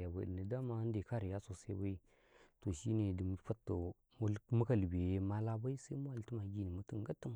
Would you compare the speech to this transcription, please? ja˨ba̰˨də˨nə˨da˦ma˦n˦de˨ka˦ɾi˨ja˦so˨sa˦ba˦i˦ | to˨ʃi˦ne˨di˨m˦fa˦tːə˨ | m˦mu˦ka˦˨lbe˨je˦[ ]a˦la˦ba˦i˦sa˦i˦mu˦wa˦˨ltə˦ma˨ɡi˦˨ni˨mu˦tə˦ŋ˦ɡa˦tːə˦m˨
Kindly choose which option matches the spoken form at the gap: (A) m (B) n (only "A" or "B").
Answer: A